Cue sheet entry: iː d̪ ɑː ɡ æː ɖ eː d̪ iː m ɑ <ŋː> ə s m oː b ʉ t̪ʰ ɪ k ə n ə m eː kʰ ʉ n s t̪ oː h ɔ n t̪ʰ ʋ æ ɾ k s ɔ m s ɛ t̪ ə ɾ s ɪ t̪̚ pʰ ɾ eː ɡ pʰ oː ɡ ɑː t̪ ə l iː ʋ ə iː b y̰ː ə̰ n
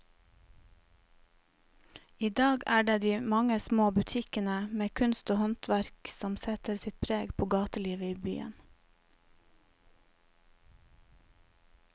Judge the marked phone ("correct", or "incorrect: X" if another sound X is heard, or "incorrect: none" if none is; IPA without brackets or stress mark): incorrect: ŋ